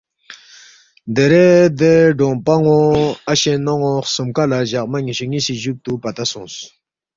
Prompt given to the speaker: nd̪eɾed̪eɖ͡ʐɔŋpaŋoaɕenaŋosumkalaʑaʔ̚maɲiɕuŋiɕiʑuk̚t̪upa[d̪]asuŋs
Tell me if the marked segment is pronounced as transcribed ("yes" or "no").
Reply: no